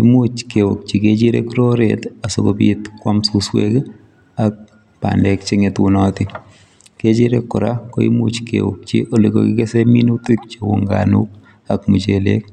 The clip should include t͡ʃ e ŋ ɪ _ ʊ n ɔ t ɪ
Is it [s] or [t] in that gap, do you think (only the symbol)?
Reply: t